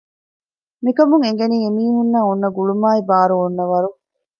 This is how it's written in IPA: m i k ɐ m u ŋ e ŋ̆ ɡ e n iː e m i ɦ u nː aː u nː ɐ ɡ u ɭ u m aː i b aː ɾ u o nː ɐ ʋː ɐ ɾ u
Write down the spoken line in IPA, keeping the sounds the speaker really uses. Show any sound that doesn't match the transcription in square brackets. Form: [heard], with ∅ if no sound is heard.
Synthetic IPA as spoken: m i k ɐ m u ŋ e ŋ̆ ɡ e n iː e m [iː] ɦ u nː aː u nː ɐ ɡ u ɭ u m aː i b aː ɾ u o nː ɐ [ʋ] ɐ ɾ u